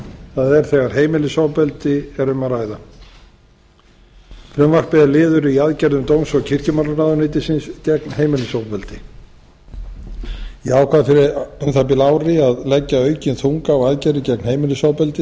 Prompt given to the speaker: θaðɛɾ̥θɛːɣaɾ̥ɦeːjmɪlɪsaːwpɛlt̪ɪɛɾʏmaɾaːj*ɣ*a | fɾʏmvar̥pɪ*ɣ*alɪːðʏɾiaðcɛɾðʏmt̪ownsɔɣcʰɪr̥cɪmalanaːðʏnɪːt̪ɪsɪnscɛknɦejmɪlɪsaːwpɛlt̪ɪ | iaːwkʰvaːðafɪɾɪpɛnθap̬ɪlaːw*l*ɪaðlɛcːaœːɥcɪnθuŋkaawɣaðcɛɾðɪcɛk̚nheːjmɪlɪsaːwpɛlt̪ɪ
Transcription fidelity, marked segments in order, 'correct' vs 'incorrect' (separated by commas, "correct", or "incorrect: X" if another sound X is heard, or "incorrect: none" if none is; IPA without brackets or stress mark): incorrect: ð, incorrect: ð, incorrect: ɾ